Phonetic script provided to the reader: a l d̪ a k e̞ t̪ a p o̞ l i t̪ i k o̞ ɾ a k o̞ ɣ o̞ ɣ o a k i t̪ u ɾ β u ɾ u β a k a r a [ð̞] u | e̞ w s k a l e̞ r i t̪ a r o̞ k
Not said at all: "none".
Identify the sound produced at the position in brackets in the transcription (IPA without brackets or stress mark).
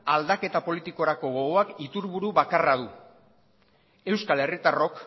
ð̞